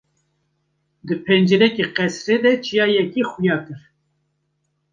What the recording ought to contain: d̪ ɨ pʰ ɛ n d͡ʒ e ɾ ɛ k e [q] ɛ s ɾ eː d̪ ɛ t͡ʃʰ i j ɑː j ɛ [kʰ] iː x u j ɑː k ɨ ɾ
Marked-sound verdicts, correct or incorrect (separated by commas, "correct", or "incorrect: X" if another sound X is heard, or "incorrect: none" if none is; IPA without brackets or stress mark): correct, incorrect: k